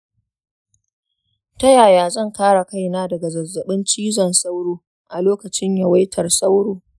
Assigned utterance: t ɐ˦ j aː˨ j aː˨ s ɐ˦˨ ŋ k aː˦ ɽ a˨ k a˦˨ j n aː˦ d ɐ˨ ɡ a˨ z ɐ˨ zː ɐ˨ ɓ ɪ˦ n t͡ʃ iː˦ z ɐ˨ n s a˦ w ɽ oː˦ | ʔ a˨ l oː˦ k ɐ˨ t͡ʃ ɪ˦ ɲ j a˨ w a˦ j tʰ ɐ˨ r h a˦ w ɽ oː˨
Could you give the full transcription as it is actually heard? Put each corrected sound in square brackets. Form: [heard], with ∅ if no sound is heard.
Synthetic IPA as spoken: t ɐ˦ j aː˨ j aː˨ [z] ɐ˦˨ ŋ k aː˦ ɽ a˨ k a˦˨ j n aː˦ d ɐ˨ ɡ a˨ z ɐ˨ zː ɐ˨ ɓ ɪ˦ n t͡ʃ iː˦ z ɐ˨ n s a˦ w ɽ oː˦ | ʔ a˨ l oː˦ k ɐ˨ t͡ʃ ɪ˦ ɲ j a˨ w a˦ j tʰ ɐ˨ r [s] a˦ w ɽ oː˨